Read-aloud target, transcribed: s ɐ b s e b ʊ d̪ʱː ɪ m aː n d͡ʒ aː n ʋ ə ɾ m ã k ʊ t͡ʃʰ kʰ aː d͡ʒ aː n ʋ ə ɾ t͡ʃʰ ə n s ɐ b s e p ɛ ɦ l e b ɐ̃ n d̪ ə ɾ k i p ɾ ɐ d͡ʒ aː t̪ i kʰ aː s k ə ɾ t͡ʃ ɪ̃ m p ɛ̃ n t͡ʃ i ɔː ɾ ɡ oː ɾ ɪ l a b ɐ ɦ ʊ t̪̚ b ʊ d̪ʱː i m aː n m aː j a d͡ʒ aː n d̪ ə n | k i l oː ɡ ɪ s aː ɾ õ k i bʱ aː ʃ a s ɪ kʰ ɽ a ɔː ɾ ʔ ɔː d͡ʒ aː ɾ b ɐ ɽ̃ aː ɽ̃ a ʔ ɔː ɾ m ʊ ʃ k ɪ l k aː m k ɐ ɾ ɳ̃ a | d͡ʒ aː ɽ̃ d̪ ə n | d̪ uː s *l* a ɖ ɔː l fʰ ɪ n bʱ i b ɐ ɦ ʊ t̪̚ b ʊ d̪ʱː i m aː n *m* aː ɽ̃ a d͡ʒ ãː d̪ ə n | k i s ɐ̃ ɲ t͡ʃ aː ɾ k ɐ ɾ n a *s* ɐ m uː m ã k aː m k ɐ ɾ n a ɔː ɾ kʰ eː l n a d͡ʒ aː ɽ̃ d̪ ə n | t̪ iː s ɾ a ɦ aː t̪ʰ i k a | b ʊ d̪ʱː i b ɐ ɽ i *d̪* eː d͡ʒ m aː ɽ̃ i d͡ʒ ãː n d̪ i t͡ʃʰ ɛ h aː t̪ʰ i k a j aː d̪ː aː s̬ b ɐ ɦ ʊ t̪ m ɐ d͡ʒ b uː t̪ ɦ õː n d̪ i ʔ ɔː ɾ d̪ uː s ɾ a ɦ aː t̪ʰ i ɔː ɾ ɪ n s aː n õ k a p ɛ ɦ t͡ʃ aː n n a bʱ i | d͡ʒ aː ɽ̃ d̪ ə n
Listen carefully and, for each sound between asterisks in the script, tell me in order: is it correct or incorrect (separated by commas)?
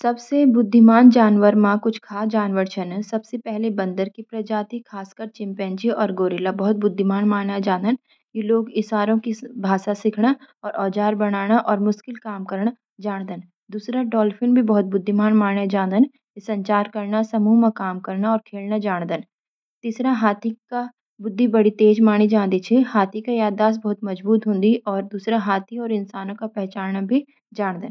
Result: incorrect, correct, correct, incorrect